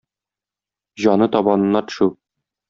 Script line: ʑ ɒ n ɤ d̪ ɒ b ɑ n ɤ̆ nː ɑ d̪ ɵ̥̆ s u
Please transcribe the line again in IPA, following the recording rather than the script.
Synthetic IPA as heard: ʑ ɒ n ɤ t̪ ɒ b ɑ n ɤ̆ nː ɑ t̪ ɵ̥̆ ʃ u